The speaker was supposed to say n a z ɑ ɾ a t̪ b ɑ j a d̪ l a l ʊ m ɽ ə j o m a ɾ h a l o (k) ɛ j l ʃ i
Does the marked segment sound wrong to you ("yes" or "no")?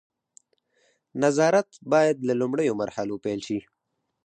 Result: yes